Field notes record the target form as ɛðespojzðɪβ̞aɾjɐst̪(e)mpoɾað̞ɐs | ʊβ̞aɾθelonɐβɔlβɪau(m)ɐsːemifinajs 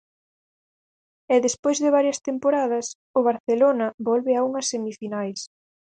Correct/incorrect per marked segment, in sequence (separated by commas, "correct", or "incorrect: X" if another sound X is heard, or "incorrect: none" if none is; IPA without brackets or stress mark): correct, incorrect: ŋ